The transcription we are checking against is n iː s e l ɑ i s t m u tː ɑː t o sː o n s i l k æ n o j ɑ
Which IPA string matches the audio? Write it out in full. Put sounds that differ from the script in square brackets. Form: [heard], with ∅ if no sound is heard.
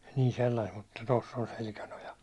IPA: n iː s e [lː] ɑ i s t m u tː [ɑ] t o sː o n s [e] l k æ n o j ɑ